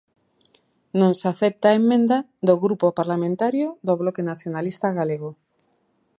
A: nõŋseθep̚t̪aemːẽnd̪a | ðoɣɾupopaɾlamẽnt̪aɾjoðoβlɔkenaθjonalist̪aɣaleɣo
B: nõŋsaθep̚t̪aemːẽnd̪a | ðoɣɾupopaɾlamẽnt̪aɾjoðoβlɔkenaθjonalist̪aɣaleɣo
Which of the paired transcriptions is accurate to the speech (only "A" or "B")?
B